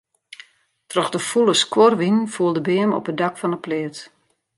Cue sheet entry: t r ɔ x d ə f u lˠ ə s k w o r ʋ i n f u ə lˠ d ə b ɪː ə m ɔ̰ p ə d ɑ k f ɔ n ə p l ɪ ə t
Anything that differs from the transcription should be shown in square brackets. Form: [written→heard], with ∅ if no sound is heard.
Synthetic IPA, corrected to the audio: t r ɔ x d ə f u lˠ ə s k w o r ʋ i n f u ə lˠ d ə b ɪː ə m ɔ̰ p ə d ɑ k f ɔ n ə p l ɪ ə t